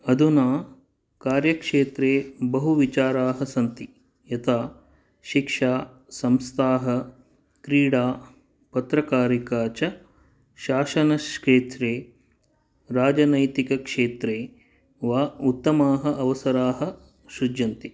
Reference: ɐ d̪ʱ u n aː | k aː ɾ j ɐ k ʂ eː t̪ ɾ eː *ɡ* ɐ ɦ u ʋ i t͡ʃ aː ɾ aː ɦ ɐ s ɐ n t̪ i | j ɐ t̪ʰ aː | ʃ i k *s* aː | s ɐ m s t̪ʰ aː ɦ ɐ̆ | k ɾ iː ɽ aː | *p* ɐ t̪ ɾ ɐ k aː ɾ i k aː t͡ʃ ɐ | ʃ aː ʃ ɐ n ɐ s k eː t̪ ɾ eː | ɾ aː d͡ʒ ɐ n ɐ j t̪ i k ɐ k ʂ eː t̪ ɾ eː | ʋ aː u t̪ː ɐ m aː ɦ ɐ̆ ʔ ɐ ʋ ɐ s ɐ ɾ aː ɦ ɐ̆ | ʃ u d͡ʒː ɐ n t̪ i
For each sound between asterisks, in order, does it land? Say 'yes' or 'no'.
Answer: no, no, yes

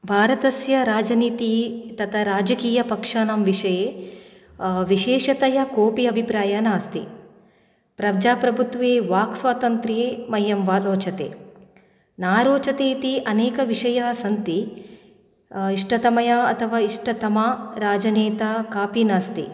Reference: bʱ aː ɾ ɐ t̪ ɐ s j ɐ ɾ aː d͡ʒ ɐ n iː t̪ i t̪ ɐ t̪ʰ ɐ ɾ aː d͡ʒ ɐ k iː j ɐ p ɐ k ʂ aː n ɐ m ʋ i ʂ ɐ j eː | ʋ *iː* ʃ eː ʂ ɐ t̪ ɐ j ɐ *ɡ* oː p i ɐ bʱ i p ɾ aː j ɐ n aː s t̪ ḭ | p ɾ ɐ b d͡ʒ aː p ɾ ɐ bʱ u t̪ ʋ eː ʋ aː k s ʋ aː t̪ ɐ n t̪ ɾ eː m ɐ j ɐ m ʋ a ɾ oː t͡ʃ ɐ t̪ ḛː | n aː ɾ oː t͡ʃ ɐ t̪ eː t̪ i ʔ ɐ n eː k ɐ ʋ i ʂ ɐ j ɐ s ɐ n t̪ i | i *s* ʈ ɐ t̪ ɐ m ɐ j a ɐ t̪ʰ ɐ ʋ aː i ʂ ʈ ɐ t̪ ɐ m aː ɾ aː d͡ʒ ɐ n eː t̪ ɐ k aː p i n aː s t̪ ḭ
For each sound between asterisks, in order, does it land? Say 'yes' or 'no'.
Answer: no, no, no

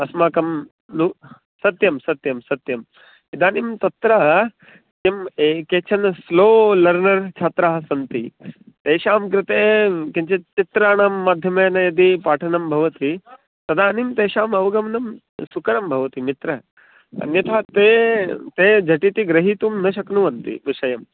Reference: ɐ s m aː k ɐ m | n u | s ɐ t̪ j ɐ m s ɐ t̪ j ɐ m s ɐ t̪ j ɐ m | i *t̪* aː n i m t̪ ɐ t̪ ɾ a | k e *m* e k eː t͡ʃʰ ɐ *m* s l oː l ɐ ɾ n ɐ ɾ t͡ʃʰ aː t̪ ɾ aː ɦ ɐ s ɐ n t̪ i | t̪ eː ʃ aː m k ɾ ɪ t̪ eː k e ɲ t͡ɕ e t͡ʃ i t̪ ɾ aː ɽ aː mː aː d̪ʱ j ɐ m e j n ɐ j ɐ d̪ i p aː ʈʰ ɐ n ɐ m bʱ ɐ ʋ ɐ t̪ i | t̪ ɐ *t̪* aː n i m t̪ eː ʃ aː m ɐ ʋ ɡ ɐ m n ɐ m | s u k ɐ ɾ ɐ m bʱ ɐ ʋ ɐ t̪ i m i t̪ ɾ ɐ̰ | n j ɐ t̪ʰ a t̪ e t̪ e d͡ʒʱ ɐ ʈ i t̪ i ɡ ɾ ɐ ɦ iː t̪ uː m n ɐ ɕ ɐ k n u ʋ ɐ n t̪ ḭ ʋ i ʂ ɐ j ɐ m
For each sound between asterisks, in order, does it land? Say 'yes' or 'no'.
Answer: no, yes, no, no

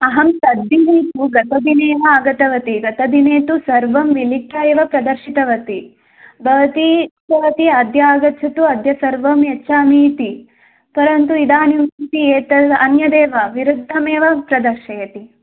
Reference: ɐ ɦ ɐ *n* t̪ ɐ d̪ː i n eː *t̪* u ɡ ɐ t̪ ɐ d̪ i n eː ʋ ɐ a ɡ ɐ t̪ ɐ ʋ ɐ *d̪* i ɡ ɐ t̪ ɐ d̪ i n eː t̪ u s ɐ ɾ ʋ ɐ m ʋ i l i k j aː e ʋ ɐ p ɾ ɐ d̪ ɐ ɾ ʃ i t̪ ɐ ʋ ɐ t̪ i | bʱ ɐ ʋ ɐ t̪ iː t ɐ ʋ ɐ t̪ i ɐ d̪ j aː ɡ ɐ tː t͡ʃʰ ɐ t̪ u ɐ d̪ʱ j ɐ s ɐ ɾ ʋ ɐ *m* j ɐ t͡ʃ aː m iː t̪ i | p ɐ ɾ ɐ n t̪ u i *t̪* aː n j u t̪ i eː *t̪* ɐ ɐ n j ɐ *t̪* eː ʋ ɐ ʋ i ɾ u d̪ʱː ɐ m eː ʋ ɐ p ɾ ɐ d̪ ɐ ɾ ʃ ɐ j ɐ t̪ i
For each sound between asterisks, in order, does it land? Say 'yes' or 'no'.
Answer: no, yes, no, yes, no, yes, no

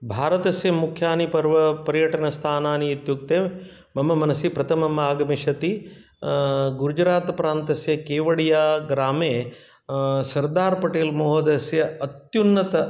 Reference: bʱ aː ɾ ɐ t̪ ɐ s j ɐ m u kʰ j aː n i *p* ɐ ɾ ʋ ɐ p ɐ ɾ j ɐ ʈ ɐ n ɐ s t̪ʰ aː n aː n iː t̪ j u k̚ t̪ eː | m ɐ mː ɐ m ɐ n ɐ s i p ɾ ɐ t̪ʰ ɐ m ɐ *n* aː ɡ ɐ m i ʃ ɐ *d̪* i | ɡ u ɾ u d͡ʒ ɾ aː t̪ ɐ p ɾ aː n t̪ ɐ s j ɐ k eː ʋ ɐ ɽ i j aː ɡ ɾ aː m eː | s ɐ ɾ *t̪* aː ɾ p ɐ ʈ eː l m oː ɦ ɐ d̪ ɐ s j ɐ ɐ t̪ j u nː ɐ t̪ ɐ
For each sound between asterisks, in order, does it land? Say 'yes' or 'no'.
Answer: yes, no, no, no

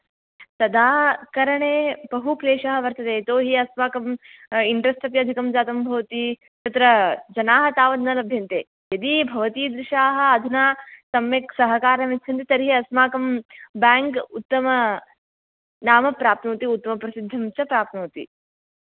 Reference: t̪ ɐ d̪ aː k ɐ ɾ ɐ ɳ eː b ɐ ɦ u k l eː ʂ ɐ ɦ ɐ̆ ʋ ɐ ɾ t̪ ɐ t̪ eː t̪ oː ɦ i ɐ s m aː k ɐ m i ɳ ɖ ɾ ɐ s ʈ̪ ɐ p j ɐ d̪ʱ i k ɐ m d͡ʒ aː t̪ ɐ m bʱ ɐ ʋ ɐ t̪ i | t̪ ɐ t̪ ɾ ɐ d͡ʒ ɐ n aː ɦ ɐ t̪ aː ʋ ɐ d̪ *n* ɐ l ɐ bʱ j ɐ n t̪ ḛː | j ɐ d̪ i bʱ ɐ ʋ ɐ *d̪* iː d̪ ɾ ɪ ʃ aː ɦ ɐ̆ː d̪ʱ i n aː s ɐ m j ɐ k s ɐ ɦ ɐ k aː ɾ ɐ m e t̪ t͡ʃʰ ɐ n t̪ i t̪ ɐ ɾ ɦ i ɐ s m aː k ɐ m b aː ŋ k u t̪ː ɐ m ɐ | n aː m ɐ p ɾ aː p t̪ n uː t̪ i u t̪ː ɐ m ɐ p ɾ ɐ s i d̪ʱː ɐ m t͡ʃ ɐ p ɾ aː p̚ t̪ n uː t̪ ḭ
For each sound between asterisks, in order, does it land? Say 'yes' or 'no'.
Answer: yes, no

